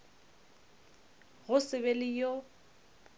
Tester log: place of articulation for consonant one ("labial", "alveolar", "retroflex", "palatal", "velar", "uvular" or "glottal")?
velar